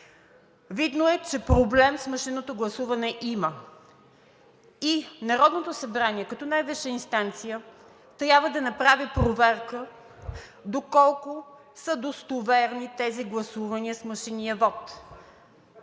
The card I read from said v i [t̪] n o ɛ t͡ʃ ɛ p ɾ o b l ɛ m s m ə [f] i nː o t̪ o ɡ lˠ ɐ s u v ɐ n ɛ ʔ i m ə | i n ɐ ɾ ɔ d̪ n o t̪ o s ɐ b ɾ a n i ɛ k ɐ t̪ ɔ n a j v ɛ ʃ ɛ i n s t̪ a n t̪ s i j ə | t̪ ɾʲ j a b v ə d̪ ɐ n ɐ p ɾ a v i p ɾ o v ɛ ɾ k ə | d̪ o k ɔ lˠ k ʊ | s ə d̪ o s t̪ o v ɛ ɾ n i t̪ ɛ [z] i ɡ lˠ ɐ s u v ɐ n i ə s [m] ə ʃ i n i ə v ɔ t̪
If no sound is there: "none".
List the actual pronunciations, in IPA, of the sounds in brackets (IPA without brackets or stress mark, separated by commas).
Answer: d̪, ʃ, z, m